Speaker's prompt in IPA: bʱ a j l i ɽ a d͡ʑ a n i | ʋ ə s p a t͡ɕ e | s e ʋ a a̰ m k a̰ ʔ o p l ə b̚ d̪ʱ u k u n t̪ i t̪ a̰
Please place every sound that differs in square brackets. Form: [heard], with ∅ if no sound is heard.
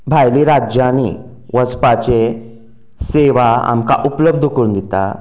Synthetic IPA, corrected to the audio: bʱ a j l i [ɾ] a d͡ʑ a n i | ʋ ə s p a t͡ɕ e | s e ʋ a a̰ m k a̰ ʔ [u] p l ə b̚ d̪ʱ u k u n [d̪] i t̪ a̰